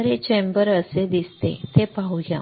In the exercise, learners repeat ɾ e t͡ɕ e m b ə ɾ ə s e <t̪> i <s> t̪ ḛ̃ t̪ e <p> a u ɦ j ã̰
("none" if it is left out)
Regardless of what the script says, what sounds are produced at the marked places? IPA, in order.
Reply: d̪, s, p

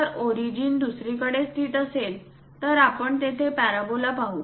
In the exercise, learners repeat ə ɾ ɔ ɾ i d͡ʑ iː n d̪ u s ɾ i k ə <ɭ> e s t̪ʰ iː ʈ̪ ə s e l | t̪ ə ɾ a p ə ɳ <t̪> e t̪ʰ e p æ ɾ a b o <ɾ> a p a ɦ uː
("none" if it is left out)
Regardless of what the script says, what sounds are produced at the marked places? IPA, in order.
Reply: ɽ, t̪, l

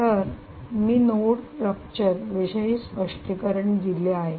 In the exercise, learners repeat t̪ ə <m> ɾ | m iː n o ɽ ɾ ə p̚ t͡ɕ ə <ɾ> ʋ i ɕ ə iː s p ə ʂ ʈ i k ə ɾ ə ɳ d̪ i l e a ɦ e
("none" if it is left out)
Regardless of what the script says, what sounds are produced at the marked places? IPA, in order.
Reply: none, ɾ

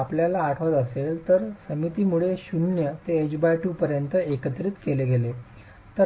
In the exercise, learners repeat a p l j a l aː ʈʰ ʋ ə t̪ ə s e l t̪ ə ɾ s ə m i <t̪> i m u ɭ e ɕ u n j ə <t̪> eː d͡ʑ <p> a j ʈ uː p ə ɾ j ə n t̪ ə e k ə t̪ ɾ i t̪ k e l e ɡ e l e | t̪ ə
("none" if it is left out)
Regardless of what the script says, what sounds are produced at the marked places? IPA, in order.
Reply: t̪, t̪, b

